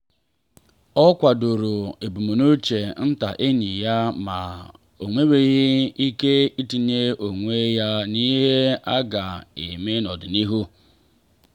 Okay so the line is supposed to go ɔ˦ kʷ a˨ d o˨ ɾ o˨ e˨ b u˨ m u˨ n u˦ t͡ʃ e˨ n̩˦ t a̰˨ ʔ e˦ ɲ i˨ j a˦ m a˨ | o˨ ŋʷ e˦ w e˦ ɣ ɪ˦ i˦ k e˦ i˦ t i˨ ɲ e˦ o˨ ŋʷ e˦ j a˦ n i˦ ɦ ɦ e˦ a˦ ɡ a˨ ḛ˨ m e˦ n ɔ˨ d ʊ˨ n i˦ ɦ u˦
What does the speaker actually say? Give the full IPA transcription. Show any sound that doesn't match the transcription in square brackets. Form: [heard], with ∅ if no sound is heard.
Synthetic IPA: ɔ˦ kʷ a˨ d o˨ ɾ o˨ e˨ b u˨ m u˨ n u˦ t͡ʃ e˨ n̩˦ t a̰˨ ʔ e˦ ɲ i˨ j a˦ m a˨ | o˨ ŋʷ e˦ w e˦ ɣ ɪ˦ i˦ k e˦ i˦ t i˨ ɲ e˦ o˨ ŋʷ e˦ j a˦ n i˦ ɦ ɦ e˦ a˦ ɡ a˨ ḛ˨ m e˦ n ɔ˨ d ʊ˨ n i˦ ɦ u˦